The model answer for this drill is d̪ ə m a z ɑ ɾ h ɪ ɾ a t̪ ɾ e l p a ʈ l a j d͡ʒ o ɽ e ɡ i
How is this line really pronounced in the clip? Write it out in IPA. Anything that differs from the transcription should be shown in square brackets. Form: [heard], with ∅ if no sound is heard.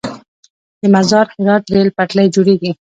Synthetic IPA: d̪ ə m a z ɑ ɾ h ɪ ɾ [ɑ] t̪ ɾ e l p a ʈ l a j d͡ʒ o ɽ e ɡ i